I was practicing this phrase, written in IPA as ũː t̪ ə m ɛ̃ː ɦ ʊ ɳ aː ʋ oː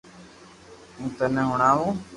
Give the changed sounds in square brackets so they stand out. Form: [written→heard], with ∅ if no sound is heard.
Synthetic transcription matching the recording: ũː t̪ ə [m→n] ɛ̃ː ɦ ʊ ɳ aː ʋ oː